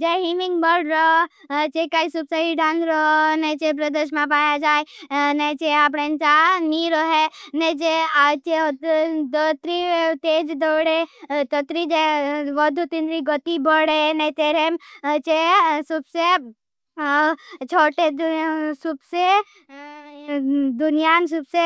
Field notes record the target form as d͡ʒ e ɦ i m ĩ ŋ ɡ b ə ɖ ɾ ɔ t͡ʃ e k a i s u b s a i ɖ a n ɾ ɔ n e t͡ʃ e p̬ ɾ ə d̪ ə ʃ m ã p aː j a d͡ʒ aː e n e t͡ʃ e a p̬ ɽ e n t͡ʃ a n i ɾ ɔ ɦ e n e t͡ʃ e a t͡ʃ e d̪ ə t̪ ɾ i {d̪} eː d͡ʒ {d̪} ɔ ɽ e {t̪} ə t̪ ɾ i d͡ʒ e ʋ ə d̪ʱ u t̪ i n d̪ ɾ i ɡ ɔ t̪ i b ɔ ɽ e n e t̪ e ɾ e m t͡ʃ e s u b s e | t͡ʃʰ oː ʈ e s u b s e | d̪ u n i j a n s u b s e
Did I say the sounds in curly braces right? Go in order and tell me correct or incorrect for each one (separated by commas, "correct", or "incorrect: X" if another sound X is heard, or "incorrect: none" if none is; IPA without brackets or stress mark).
incorrect: t̪, correct, correct